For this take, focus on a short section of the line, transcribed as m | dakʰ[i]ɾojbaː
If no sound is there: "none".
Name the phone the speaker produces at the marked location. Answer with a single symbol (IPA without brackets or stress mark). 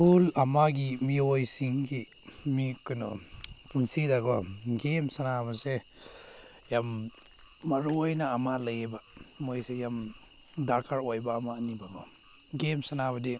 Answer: a